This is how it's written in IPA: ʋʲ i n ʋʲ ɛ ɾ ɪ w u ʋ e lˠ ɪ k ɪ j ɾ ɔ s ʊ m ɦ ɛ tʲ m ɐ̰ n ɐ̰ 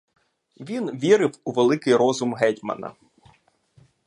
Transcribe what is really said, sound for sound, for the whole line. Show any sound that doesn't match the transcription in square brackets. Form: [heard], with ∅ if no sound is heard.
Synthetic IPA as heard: ʋʲ i n ʋʲ [i] ɾ ɪ w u ʋ e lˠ ɪ k ɪ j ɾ ɔ [z] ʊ m ɦ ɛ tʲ m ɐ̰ n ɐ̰